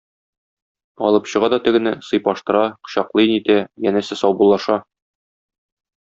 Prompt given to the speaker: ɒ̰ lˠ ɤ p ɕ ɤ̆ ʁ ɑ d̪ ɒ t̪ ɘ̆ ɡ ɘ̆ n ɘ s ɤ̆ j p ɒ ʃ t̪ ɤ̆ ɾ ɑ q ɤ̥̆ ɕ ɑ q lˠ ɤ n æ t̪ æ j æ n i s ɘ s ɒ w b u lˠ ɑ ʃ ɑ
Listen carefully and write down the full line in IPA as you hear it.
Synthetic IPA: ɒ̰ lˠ ɤ p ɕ ɤ̆ ʁ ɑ d̪ ɒ t̪ ɘ̆ ɡ ɘ̆ n ɘ s ɤ̆ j p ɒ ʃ t̪ ɤ̆ ɾ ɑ q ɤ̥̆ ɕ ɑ q lˠ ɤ n i t̪ æ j æ n æ s ɘ s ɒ w b u lˠ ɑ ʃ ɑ